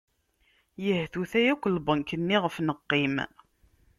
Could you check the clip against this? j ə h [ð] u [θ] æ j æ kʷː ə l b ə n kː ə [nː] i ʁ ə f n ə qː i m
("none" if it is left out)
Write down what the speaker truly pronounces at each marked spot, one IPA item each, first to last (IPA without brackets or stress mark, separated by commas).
θ, θ, nː